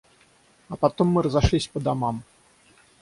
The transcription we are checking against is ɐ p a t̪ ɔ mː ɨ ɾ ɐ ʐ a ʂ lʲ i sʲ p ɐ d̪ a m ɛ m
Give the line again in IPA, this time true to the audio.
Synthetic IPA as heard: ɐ p a t̪ ɔ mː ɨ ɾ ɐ z a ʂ lʲ i sʲ p ɐ d̪ a m a m